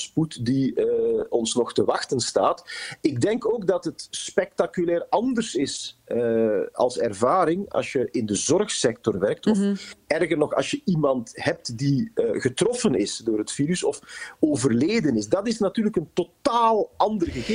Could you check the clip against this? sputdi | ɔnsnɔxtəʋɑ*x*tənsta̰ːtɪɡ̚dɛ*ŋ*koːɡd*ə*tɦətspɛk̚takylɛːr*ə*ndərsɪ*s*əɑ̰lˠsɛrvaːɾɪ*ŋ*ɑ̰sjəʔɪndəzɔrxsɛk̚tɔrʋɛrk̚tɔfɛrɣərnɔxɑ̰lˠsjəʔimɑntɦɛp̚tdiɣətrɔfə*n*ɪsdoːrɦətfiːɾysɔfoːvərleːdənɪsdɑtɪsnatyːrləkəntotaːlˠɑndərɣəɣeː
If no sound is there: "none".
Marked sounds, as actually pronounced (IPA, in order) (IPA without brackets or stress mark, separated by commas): x, ŋ, ɑ, ɑ, s, ŋ, n